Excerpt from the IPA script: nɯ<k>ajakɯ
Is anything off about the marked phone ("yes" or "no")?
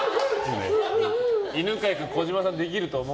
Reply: no